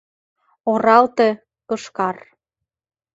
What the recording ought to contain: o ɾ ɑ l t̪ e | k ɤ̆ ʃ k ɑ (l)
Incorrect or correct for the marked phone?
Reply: incorrect: r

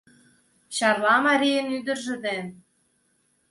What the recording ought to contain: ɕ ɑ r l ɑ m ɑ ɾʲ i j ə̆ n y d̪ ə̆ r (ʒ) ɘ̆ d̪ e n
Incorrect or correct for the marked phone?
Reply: correct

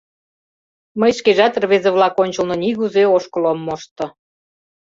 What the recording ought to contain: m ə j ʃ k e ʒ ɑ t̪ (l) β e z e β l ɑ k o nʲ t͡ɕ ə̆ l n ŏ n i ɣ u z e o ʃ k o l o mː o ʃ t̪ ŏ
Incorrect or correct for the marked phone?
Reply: incorrect: r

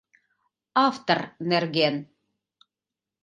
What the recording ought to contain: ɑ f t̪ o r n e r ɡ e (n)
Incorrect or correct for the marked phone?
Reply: correct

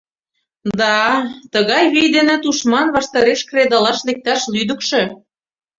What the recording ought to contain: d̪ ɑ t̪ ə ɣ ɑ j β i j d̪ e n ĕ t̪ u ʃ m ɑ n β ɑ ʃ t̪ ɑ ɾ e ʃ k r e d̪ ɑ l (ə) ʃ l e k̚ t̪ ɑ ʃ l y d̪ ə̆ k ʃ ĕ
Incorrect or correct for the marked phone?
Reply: incorrect: ɑ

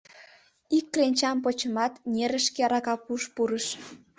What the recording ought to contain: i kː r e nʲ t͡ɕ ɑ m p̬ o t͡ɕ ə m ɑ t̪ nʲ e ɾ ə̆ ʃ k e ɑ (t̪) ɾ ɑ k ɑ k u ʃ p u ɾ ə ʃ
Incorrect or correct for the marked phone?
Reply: incorrect: none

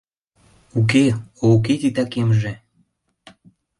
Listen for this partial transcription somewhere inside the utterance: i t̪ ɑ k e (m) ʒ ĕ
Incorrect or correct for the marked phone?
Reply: correct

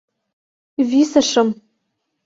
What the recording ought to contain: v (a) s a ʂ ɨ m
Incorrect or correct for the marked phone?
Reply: incorrect: i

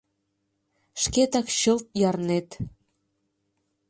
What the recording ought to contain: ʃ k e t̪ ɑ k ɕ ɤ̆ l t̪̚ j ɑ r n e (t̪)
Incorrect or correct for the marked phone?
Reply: correct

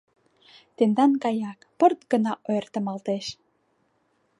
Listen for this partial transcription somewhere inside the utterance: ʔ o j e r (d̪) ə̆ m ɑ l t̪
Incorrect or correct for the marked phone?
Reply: incorrect: t̪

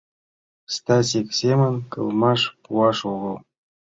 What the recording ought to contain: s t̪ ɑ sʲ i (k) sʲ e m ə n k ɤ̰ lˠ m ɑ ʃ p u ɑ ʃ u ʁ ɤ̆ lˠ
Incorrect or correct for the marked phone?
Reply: correct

